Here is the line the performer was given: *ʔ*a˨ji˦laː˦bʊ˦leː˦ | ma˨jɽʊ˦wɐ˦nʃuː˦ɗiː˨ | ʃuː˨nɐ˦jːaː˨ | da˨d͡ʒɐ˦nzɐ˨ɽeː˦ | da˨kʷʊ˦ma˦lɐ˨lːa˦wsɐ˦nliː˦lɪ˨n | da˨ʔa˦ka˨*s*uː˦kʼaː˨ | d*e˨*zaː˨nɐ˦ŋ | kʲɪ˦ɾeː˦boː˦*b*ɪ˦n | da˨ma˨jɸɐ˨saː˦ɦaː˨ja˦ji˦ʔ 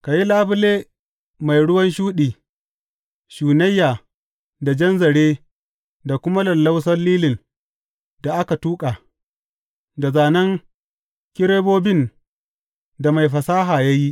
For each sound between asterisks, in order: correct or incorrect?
incorrect: k, incorrect: t, incorrect: a˨, correct

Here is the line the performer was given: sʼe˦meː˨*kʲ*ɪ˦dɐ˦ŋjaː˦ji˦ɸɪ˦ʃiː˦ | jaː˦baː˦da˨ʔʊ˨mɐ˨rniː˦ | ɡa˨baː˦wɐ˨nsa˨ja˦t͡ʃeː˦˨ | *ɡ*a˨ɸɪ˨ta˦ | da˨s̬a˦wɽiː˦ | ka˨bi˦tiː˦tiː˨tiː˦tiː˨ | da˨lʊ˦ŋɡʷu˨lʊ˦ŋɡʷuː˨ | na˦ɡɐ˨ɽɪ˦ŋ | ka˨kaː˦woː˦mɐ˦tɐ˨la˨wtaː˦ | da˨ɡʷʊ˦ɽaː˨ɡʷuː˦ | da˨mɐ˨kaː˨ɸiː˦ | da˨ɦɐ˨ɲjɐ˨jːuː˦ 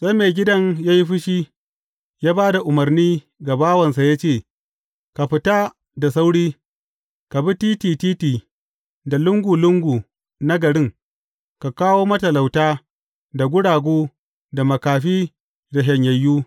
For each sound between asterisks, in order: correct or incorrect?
incorrect: ɡʲ, incorrect: k

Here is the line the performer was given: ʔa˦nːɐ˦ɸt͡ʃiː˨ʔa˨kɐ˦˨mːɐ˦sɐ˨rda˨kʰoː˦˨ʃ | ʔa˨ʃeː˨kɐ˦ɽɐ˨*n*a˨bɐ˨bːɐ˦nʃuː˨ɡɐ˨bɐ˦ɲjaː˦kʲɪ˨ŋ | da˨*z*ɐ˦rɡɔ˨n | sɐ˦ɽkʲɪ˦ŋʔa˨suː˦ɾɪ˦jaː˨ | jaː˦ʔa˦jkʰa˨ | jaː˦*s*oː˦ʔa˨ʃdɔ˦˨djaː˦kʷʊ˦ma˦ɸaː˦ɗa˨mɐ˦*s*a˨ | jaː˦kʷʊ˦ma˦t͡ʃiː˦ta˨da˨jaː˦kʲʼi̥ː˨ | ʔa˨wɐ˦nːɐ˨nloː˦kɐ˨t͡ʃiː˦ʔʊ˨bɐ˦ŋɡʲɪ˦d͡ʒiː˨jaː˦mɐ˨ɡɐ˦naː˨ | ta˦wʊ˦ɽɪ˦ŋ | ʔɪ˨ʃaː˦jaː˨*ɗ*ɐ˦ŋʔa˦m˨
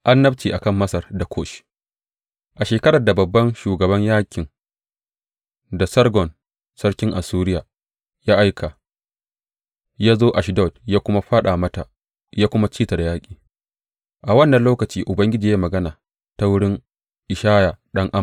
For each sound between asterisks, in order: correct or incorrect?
incorrect: d, incorrect: s, incorrect: z, incorrect: t, correct

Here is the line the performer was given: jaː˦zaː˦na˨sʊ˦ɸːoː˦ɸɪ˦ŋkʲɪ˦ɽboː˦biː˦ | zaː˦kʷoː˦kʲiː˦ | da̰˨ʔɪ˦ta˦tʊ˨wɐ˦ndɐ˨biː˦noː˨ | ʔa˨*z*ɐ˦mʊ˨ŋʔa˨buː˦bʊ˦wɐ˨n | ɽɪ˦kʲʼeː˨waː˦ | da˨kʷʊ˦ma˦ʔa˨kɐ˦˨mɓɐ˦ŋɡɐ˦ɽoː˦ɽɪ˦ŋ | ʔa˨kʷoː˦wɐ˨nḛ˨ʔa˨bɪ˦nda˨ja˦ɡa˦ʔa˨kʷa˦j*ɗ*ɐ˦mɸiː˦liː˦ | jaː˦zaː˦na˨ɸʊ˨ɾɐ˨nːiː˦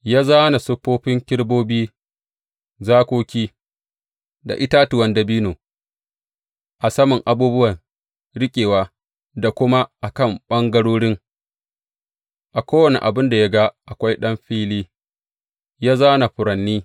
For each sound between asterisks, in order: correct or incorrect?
incorrect: s, correct

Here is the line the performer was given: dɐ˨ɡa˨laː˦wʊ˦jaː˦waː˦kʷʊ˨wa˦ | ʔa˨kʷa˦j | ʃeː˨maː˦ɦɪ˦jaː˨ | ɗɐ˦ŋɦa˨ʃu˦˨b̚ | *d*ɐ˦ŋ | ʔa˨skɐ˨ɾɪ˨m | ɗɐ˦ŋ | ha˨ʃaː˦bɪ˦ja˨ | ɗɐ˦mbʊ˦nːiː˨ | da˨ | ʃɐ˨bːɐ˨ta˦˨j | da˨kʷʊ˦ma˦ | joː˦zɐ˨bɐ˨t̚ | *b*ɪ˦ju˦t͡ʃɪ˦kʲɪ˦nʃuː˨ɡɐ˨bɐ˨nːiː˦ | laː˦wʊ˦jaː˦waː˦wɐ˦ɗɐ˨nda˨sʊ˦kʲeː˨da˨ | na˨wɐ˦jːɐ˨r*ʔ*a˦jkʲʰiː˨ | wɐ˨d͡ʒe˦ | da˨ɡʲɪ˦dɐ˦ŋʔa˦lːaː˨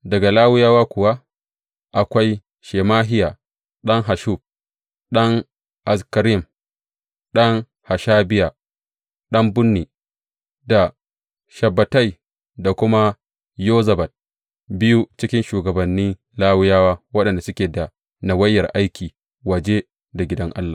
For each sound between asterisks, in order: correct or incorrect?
incorrect: ɗ, correct, correct

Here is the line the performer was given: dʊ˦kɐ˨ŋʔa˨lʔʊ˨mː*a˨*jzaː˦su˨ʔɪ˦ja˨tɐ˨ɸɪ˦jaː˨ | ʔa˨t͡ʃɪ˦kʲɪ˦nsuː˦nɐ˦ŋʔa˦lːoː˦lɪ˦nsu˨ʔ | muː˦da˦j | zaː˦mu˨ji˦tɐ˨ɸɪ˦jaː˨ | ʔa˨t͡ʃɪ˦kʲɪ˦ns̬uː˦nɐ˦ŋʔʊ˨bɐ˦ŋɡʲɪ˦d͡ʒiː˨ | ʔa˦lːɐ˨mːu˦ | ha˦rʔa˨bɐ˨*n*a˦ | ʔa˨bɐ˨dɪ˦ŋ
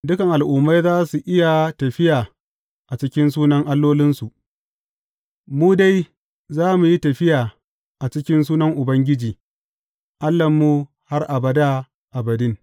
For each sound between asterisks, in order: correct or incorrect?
incorrect: a˦, incorrect: d

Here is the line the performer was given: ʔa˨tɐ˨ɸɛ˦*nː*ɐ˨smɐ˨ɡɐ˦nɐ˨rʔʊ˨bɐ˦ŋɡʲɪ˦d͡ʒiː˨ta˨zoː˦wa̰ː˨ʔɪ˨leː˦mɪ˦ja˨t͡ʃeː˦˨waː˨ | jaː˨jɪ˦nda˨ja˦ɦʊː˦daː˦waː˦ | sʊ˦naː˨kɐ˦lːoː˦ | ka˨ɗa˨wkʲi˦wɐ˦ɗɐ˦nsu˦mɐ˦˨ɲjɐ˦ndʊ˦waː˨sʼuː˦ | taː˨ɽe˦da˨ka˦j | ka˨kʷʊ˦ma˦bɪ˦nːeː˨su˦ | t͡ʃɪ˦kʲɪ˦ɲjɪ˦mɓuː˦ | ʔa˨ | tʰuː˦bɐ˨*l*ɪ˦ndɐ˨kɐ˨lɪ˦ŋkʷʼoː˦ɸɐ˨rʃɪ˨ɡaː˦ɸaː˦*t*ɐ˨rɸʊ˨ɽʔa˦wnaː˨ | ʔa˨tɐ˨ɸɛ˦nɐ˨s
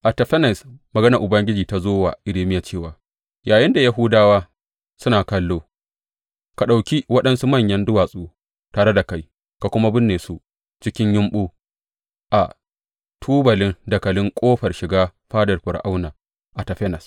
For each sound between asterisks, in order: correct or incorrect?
incorrect: n, correct, incorrect: d

